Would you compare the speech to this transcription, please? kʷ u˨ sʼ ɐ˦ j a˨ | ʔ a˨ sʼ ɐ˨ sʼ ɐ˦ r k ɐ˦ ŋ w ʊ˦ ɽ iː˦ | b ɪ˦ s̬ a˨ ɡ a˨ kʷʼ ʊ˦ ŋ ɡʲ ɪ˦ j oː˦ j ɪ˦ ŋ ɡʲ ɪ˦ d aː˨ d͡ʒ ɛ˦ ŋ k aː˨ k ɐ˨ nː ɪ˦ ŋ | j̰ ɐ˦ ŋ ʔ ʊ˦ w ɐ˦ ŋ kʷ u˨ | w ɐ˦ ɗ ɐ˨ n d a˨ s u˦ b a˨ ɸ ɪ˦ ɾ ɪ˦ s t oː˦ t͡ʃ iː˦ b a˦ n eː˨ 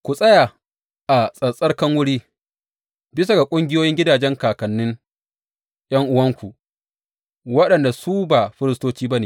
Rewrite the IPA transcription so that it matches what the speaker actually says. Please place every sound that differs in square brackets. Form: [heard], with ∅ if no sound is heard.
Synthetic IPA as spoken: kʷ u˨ sʼ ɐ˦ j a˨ | ʔ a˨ sʼ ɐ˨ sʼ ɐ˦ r k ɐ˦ ŋ w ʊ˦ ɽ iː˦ | b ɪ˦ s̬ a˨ ɡ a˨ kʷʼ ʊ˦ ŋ ɡʲ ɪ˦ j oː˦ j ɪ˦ ŋ ɡʲ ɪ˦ d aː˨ d͡ʒ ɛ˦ ŋ k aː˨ k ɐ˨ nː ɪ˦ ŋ | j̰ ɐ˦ ŋ ʔ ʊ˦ w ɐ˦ ŋ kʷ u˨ | w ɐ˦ ɗ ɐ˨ n d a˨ s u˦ b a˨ ɸ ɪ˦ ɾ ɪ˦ s t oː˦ t͡ʃ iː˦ b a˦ n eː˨